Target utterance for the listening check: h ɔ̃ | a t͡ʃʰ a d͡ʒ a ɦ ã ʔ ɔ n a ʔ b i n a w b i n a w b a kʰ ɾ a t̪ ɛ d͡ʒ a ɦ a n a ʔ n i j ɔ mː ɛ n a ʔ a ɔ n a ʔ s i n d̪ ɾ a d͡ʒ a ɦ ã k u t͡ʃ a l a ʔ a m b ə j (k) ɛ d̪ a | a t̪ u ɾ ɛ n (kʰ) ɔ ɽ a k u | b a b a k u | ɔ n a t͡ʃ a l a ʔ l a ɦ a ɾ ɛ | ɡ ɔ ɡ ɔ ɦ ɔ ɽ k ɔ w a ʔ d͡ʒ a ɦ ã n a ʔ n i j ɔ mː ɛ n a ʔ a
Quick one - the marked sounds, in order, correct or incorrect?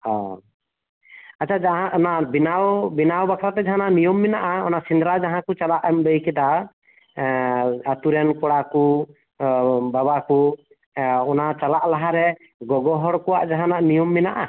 correct, incorrect

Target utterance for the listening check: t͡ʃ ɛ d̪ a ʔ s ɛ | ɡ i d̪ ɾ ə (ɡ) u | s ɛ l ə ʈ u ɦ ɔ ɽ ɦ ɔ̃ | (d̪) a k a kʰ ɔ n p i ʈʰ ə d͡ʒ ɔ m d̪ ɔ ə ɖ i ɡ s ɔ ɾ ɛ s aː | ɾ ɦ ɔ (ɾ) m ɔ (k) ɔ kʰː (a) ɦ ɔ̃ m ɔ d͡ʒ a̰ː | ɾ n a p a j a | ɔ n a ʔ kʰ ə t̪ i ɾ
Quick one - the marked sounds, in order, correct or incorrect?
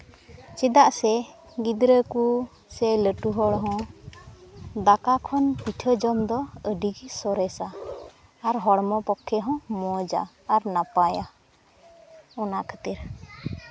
incorrect, correct, incorrect, incorrect, incorrect

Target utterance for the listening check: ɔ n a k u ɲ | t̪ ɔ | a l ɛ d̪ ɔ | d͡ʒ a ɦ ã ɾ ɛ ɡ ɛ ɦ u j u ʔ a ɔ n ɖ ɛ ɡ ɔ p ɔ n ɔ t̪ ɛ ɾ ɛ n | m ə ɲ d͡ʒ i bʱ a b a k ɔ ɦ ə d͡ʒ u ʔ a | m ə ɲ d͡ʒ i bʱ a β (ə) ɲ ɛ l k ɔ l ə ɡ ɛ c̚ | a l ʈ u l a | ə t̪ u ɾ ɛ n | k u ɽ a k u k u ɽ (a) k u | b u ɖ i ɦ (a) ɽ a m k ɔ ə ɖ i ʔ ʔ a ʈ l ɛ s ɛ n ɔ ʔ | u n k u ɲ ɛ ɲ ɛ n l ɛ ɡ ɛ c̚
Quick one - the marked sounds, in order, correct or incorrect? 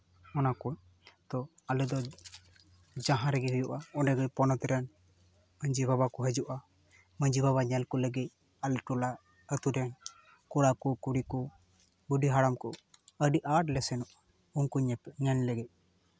incorrect, incorrect, correct

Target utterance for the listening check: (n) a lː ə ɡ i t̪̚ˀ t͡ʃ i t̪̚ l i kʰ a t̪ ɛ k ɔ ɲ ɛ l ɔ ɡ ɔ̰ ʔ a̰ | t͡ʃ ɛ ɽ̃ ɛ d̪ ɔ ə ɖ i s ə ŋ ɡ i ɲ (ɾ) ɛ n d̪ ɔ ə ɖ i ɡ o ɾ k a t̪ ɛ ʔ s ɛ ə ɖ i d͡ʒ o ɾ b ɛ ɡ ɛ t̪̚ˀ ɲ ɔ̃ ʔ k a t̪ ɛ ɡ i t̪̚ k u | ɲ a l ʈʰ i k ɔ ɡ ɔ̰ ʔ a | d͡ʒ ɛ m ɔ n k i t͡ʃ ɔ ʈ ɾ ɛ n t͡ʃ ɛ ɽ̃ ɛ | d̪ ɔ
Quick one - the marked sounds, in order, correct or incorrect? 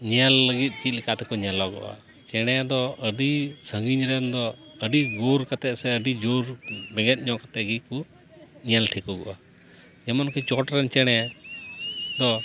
incorrect, correct

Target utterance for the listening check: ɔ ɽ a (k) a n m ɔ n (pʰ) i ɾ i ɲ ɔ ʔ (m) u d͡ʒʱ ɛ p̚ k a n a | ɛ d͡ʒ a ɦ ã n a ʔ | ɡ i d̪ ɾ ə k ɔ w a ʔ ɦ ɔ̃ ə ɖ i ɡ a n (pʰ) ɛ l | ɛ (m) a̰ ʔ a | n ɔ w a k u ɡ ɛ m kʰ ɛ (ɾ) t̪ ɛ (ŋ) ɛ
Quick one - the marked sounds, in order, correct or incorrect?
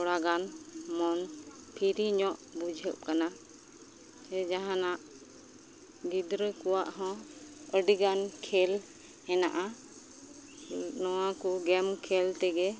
incorrect, correct, incorrect, incorrect, incorrect, incorrect, incorrect

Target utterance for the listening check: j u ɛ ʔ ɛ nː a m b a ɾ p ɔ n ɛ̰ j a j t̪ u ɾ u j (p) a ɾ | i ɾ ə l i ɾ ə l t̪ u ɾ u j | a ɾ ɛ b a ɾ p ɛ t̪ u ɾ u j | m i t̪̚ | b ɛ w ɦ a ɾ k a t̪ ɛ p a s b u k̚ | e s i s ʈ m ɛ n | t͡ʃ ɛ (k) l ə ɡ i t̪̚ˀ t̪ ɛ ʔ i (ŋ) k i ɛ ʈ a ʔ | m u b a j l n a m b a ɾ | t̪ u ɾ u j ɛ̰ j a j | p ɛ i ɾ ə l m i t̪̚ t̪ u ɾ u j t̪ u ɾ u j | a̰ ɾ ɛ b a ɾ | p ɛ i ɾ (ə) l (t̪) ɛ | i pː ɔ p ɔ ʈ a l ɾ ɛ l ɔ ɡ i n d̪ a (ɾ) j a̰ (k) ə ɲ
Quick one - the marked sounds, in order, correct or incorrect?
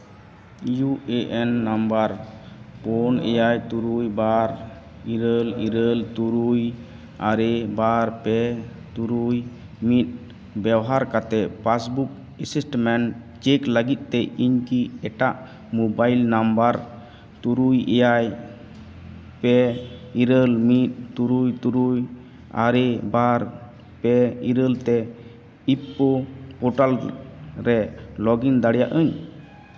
incorrect, correct, incorrect, correct, correct, incorrect, incorrect

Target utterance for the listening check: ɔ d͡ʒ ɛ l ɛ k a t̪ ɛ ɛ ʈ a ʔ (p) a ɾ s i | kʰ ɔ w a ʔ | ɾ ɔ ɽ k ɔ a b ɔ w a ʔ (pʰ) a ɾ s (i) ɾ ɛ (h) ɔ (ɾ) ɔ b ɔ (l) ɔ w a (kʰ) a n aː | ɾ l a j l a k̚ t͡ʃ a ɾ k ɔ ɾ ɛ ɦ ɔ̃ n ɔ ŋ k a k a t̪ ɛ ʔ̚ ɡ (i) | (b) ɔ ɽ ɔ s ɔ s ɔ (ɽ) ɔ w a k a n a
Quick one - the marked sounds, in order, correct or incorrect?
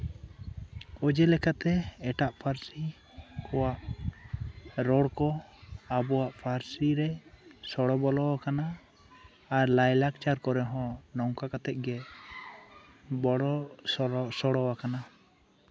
incorrect, correct, correct, incorrect, incorrect, correct, incorrect, incorrect, correct, correct

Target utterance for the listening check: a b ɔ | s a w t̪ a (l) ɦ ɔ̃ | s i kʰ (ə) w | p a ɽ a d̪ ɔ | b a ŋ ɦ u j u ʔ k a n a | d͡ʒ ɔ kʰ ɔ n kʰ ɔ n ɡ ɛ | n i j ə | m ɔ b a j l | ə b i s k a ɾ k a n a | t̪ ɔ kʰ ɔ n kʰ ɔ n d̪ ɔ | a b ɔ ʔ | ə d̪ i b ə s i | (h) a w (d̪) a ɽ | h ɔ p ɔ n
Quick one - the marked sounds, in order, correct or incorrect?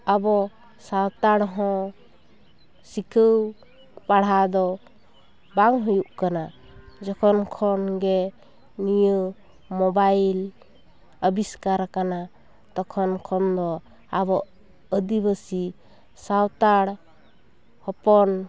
incorrect, correct, incorrect, incorrect

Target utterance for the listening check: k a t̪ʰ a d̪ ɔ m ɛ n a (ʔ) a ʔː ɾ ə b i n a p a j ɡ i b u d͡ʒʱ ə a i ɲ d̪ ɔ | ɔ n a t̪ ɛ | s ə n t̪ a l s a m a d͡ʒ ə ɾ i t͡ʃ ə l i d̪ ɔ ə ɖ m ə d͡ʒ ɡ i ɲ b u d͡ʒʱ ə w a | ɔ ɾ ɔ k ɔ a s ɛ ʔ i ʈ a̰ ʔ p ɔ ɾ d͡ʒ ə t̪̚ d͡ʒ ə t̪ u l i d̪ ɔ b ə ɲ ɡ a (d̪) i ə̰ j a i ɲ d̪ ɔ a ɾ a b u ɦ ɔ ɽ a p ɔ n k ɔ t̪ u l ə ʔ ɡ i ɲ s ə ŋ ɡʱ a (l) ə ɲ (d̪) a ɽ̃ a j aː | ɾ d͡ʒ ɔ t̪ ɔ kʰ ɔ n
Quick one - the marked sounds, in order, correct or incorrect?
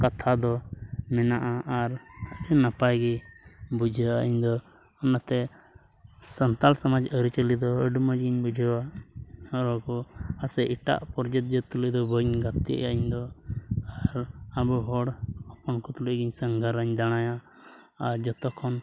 correct, incorrect, incorrect, correct

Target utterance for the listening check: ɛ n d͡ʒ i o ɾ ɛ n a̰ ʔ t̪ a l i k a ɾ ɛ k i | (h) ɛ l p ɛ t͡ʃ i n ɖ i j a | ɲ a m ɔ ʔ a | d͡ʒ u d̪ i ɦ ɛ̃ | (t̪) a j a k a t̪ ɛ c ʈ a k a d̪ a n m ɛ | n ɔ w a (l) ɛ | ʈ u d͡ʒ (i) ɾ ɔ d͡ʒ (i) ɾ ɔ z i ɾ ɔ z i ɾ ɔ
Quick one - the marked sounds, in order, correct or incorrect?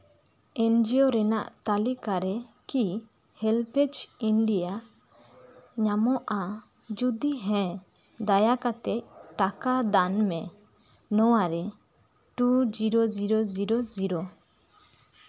correct, incorrect, incorrect, correct, correct

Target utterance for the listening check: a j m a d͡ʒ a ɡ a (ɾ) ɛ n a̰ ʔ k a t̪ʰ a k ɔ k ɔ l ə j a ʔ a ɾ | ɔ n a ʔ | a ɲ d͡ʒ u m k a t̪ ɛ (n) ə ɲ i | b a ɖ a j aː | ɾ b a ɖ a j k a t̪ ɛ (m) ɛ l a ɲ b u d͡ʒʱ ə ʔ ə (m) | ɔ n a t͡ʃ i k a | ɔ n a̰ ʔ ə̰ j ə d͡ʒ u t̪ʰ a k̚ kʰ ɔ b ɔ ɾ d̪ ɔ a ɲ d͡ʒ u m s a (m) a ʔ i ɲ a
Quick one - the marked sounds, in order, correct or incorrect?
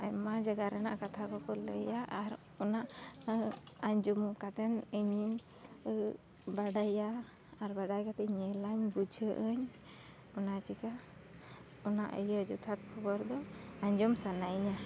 correct, correct, incorrect, incorrect, incorrect

